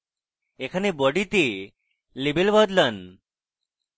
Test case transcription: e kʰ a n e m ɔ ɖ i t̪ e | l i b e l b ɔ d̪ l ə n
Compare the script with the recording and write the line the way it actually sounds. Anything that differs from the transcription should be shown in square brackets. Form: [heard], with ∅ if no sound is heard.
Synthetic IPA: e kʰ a n e [b] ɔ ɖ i t̪ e | l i b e l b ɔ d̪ l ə n